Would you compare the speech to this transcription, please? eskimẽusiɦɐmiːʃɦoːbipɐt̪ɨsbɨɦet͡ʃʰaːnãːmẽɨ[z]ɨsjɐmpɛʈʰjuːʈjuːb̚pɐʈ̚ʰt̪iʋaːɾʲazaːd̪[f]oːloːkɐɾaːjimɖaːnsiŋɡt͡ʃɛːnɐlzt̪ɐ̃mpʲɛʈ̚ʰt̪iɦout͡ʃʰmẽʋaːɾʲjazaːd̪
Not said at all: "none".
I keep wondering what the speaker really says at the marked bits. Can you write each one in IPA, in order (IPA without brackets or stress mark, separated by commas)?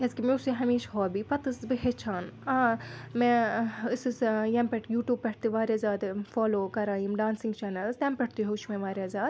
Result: s, f